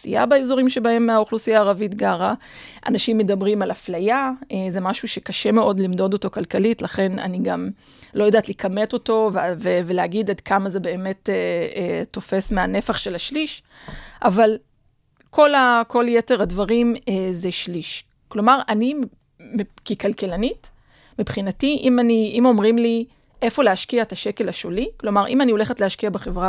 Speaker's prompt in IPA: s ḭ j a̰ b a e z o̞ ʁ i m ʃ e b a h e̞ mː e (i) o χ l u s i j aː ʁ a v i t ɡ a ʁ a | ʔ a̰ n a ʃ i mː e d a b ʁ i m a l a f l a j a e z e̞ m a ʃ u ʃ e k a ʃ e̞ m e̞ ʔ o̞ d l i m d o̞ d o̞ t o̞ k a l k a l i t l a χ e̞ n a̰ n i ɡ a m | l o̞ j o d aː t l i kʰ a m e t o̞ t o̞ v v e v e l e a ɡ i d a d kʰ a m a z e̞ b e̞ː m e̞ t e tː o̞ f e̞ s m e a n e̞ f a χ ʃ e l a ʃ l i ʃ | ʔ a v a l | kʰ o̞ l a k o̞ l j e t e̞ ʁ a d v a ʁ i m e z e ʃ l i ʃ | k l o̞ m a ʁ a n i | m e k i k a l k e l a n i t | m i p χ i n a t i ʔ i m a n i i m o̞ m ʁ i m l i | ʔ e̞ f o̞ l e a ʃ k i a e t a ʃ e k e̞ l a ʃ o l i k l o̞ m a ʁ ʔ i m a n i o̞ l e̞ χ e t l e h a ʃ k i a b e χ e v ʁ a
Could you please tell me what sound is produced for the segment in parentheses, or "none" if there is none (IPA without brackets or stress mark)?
a